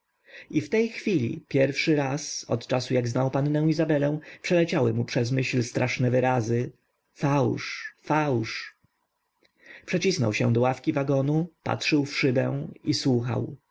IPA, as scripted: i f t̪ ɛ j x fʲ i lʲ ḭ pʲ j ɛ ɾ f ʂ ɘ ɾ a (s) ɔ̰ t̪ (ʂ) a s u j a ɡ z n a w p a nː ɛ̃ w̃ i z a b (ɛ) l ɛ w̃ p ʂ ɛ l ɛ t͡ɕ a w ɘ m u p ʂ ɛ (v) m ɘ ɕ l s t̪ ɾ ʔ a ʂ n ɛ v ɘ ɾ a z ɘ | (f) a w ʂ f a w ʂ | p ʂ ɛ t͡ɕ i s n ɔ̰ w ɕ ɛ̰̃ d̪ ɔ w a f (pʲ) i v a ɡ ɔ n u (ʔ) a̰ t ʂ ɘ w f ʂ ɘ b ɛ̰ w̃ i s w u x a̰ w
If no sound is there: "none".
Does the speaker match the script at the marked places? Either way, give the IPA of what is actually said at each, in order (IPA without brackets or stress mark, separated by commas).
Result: s, t͡ʂ, ɛ, z, f, kʲ, p